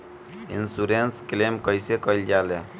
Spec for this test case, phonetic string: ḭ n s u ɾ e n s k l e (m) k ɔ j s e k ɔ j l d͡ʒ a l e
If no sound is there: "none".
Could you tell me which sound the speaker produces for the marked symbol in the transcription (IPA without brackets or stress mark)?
m